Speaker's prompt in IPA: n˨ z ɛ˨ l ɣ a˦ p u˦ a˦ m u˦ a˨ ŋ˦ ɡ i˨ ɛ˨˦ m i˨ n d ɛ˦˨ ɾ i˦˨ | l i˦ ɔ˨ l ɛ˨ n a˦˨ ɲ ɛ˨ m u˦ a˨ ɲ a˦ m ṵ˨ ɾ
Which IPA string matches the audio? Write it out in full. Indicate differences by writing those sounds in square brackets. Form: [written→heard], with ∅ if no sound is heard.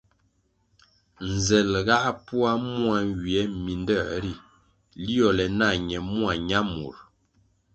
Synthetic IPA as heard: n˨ z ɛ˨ l ɣ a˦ p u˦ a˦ m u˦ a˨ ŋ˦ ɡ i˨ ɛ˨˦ m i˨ n d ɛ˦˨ ɾ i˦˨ | l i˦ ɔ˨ l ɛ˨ n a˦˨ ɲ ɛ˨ m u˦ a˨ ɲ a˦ m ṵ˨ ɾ